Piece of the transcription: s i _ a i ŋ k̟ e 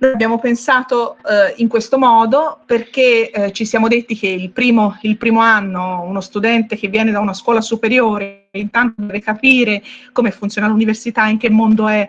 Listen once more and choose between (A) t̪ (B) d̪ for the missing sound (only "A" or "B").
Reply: A